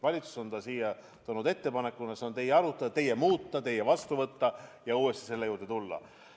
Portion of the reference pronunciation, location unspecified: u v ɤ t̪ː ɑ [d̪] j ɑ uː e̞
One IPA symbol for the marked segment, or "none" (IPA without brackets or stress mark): none